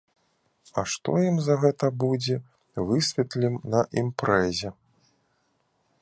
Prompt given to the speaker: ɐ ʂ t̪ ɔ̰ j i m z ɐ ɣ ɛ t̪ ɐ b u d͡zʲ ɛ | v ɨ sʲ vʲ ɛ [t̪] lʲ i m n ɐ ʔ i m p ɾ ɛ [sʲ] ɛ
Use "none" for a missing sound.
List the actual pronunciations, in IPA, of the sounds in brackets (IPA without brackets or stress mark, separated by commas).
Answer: t̪, zʲ